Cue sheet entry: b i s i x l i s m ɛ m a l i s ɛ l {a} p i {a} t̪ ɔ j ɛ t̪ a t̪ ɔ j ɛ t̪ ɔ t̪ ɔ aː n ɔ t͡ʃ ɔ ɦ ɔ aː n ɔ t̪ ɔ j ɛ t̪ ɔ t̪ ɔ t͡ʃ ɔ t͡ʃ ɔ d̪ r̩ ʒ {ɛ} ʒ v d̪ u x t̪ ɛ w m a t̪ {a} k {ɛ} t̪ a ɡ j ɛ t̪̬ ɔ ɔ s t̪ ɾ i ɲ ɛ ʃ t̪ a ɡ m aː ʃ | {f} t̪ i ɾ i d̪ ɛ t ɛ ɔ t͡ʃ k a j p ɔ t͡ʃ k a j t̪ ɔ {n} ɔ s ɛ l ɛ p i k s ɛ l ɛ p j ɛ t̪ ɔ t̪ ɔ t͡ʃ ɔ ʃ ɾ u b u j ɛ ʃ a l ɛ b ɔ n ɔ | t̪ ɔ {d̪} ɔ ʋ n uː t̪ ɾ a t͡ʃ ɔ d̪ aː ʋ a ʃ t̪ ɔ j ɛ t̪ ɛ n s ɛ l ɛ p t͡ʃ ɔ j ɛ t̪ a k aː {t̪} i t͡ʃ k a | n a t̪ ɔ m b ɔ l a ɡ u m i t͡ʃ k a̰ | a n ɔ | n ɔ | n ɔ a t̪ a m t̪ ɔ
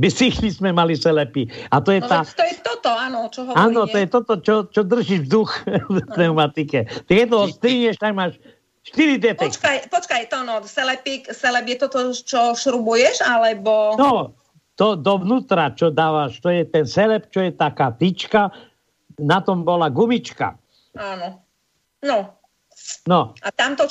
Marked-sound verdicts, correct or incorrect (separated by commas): incorrect, correct, incorrect, incorrect, correct, incorrect, correct, correct, correct